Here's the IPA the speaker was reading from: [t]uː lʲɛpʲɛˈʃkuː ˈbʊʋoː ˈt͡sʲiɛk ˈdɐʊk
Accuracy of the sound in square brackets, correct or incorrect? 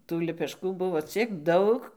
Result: correct